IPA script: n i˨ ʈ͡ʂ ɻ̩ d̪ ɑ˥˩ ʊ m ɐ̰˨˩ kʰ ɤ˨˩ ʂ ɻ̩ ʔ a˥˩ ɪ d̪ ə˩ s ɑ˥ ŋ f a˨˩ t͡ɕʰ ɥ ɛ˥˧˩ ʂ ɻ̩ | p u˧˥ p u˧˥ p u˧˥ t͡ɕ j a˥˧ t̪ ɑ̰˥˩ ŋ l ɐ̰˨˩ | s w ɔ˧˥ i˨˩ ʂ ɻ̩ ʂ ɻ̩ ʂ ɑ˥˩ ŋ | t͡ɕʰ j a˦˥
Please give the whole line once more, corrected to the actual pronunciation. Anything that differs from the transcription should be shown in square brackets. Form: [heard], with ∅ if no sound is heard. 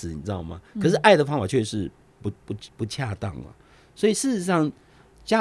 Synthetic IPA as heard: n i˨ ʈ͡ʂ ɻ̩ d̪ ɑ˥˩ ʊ m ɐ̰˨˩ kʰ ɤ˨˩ ʂ ɻ̩ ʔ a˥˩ ɪ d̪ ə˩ [f] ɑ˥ ŋ f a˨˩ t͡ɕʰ ɥ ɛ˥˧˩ ʂ ɻ̩ | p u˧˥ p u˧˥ p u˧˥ [t͡ɕʰ] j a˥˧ t̪ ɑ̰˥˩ ŋ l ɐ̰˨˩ | s w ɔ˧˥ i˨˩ ʂ ɻ̩ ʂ ɻ̩ ʂ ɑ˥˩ ŋ | [t͡ɕ] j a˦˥